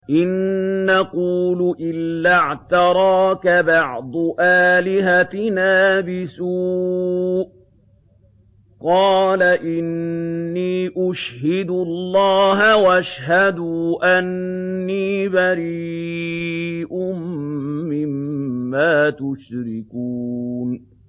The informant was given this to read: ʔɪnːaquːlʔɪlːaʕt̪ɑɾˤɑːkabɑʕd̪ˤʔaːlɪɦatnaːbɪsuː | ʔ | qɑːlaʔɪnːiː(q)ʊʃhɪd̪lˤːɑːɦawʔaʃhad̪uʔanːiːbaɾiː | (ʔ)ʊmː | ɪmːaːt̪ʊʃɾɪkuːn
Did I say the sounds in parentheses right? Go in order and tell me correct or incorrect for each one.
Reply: incorrect, correct

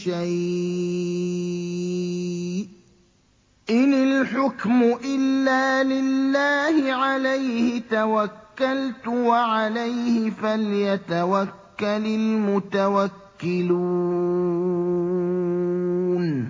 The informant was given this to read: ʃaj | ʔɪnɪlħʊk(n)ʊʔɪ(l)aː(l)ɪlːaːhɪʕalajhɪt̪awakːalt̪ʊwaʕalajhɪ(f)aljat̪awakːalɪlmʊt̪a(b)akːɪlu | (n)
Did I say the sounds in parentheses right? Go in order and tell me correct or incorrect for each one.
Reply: incorrect, incorrect, correct, correct, incorrect, correct

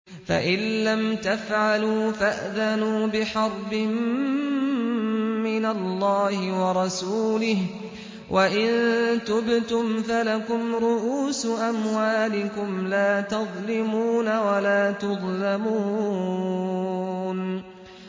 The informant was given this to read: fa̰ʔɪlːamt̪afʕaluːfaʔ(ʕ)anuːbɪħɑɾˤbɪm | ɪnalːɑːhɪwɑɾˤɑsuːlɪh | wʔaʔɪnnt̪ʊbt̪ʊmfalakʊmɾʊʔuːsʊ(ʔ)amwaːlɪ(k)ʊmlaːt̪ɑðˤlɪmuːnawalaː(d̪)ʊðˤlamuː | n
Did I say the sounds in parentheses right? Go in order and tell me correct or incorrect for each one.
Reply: incorrect, correct, correct, incorrect

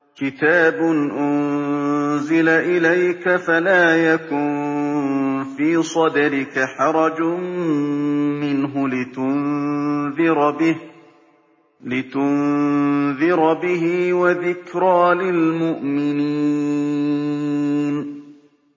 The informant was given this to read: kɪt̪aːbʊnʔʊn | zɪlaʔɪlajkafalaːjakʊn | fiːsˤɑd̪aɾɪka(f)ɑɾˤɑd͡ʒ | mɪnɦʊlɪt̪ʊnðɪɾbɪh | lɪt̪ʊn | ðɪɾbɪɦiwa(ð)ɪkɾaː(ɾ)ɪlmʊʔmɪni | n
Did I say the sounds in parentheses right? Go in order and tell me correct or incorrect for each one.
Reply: incorrect, correct, incorrect

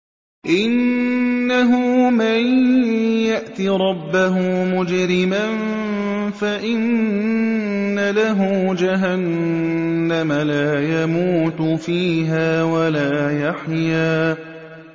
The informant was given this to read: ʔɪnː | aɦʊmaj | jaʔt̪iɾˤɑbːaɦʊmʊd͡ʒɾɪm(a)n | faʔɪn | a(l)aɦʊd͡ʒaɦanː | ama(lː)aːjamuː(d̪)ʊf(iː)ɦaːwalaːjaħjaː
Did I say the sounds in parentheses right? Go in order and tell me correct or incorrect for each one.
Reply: correct, correct, incorrect, incorrect, correct

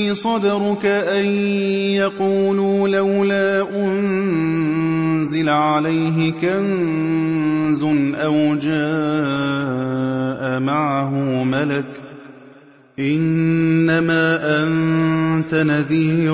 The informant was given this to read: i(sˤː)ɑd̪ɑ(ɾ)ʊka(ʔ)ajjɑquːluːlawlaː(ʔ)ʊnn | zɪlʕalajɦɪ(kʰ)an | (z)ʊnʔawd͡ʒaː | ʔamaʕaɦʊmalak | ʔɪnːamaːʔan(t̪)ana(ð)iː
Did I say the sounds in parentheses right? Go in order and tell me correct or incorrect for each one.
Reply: incorrect, correct, correct, correct, incorrect, correct, correct, correct

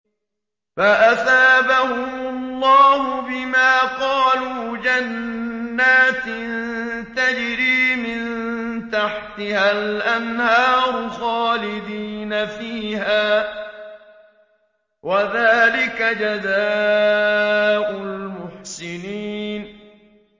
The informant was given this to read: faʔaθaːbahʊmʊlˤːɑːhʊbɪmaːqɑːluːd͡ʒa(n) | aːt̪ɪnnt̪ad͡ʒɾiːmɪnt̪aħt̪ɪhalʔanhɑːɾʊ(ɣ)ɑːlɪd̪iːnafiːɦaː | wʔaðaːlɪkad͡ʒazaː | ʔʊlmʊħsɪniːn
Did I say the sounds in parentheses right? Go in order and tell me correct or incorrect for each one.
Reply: incorrect, incorrect

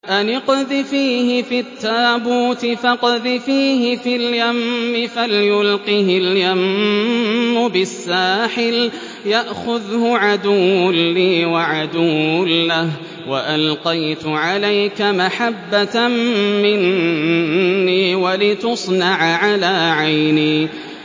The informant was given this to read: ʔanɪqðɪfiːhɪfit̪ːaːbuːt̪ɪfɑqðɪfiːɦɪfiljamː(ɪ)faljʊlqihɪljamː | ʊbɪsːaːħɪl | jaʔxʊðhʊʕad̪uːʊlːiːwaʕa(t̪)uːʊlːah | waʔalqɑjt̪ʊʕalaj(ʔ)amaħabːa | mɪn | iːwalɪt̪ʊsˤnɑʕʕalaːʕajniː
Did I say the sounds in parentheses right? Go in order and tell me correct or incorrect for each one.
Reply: correct, incorrect, incorrect

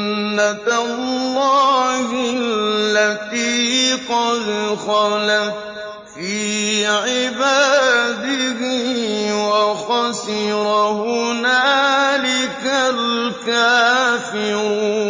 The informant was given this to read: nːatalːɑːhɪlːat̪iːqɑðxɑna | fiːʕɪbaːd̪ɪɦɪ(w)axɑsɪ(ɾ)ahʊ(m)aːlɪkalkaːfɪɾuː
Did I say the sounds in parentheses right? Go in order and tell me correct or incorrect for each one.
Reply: correct, correct, incorrect

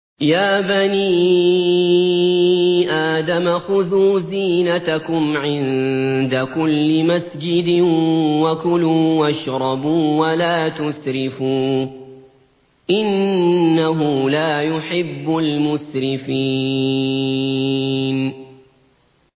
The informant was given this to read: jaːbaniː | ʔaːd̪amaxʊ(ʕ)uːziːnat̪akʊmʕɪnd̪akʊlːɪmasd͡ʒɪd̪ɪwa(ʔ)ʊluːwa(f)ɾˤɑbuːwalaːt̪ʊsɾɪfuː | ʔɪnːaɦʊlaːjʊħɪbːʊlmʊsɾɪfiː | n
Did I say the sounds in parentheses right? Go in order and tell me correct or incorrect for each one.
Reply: incorrect, incorrect, incorrect

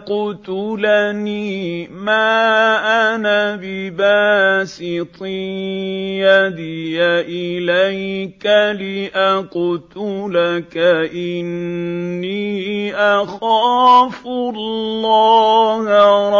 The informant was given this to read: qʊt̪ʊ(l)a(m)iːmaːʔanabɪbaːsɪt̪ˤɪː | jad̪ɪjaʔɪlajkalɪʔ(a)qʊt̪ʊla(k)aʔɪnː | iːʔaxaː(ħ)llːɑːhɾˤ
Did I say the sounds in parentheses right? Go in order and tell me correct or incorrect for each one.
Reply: correct, incorrect, correct, correct, incorrect

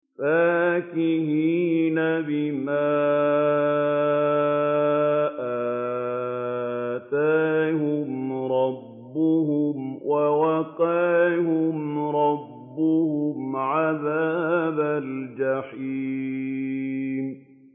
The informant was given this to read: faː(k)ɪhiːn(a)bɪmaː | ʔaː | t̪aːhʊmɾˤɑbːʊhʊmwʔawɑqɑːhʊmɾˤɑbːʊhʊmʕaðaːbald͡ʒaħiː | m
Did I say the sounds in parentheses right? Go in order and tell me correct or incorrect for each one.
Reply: correct, correct

